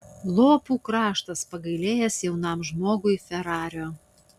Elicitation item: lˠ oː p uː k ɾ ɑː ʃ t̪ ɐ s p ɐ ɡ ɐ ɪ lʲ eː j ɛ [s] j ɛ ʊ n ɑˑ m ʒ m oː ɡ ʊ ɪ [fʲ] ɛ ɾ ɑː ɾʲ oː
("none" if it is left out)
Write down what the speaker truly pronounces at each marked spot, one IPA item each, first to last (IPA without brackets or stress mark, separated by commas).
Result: s, fʲ